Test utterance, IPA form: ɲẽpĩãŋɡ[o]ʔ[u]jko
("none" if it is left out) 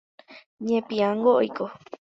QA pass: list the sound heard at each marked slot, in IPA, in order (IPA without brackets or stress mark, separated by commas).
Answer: o, o